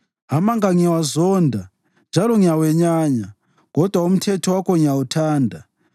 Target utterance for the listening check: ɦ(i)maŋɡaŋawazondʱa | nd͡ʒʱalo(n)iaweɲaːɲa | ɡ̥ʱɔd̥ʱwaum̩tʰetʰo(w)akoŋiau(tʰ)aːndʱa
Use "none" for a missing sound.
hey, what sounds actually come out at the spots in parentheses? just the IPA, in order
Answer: a, ŋ, w, tʰ

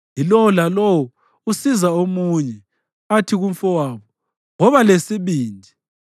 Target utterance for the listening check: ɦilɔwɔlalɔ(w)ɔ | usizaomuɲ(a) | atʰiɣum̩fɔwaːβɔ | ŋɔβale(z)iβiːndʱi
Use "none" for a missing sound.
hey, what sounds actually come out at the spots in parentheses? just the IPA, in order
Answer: w, ɛ, s

